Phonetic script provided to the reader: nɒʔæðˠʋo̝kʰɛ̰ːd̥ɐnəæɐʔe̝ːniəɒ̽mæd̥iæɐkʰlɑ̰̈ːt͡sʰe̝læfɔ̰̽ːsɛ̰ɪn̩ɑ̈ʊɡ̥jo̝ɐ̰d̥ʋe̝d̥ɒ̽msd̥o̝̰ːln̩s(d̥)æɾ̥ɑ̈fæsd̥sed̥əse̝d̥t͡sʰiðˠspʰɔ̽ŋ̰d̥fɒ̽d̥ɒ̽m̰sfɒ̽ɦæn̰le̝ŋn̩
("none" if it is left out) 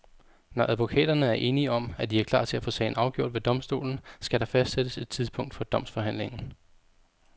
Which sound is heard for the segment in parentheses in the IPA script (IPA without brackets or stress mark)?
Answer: ɡ̥